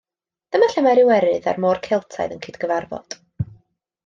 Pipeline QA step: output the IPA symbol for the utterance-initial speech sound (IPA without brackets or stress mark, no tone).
d̥